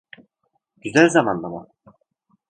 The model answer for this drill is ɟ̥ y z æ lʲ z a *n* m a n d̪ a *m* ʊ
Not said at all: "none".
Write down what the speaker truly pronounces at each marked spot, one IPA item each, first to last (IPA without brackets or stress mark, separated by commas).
none, m